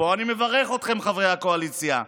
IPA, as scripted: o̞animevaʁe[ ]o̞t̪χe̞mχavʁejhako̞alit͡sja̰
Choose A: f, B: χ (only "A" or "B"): B